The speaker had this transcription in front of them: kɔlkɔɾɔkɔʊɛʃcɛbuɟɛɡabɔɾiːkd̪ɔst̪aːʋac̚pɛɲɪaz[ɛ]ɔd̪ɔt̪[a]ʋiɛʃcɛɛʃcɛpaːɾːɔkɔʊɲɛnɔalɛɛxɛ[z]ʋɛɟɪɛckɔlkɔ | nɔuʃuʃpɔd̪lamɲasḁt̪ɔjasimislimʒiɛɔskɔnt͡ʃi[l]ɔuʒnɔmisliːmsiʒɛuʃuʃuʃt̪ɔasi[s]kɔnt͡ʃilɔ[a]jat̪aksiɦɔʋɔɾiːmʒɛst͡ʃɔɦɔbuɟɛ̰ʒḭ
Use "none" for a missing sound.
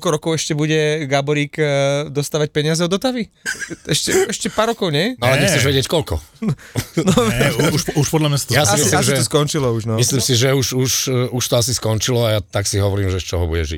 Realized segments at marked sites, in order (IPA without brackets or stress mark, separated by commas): ɛ, a, ʒ, l, s, a